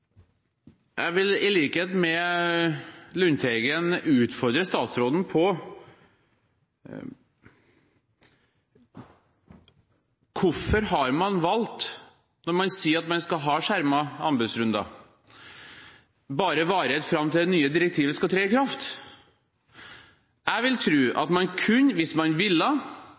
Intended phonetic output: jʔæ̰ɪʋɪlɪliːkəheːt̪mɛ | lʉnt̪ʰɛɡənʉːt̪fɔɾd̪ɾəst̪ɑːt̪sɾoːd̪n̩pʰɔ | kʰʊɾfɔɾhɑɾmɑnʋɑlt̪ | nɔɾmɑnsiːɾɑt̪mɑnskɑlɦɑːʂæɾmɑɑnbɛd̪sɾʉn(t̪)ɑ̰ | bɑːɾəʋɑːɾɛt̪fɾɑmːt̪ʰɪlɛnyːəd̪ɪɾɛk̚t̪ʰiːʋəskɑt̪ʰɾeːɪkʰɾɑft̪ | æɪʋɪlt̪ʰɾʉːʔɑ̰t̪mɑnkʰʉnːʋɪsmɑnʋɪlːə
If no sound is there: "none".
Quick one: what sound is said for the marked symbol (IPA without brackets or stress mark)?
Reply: d̪